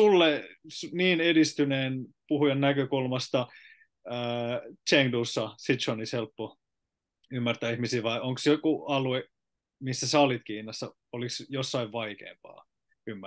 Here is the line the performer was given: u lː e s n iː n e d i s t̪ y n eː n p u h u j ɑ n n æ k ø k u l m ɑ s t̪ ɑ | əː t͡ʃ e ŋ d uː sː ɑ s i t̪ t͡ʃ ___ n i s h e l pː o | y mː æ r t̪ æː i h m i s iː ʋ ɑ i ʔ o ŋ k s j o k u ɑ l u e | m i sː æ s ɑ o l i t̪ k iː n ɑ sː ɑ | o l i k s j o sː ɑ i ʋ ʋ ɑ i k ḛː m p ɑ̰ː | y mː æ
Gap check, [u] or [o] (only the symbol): o